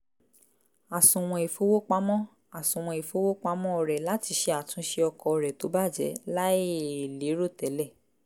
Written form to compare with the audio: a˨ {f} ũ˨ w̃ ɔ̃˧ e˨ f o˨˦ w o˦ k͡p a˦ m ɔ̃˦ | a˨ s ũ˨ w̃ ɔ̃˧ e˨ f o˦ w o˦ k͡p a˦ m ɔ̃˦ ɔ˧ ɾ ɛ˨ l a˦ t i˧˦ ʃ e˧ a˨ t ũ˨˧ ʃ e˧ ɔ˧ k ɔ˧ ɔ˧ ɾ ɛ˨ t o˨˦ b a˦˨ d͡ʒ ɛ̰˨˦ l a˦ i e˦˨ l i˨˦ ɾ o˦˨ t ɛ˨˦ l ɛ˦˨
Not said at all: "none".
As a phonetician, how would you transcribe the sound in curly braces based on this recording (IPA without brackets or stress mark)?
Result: s